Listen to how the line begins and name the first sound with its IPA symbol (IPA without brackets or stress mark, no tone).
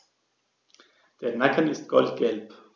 d̥